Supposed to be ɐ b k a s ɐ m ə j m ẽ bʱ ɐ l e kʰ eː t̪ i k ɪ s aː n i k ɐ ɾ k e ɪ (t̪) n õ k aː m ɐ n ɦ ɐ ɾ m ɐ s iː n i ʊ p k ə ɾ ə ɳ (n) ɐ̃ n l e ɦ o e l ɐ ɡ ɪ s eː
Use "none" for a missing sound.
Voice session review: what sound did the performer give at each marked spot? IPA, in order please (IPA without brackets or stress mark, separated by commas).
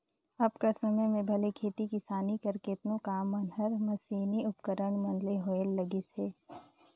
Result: t̪, m